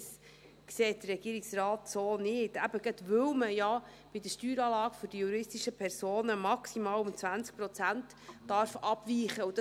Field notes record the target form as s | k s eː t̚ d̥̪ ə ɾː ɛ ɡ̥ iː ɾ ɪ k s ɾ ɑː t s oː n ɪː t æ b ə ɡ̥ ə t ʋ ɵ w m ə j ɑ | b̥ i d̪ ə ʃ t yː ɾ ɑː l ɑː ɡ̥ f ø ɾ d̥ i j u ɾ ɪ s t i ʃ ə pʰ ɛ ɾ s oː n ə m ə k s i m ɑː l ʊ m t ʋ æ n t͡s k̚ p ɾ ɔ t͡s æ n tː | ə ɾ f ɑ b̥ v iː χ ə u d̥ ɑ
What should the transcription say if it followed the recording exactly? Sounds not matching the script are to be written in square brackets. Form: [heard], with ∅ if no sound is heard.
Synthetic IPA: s | k s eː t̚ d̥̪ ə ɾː ɛ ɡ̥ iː ɾ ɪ k s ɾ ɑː t s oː n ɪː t æ b ə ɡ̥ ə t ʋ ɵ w m ə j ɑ | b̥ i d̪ ə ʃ t yː ɾ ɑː l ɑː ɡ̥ f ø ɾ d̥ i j u ɾ ɪ s t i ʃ ə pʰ ɛ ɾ s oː n ə m [ɑ] k s i m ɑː l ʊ m [t͡s] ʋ æ n t͡s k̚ p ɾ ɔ t͡s æ n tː | [ɑ] ɾ f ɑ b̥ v iː χ ə u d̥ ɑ